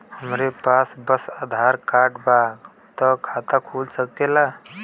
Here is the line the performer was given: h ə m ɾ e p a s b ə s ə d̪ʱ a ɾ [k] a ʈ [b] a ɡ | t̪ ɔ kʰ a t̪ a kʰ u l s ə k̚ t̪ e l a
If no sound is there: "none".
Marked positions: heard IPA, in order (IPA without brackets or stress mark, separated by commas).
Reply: k, b